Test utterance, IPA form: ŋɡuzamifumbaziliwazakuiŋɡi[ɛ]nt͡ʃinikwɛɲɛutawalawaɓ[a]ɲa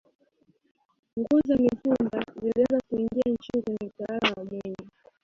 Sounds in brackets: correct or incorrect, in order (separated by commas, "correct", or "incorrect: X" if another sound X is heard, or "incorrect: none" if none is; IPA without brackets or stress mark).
incorrect: a, incorrect: ɛ